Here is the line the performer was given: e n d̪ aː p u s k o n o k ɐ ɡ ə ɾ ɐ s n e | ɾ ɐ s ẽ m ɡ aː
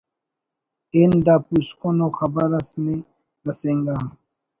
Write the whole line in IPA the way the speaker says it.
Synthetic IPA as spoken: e n d̪ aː p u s k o n o x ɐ b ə ɾ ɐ s n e | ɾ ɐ s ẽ ŋ ɡ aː